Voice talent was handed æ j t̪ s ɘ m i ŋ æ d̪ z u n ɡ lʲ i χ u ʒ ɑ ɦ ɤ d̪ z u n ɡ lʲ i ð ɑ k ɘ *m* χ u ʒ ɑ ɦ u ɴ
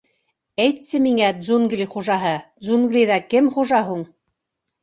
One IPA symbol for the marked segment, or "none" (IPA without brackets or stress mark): m